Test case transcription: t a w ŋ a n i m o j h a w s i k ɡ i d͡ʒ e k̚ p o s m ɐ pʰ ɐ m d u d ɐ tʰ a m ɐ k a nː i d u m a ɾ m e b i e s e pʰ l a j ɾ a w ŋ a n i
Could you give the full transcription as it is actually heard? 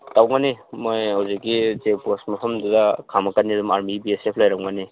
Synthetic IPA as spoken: t a w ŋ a n i m o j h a w z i k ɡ i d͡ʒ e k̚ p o s m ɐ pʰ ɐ m d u d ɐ kʰ a m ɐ k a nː i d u m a ɾ m i b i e s e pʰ l a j ɾ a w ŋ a n i